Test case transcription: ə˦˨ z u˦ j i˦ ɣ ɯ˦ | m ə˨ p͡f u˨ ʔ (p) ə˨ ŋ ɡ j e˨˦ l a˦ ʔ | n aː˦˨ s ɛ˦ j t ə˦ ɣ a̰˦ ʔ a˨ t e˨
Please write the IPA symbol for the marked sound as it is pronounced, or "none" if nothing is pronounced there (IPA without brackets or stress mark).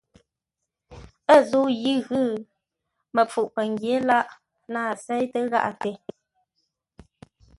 p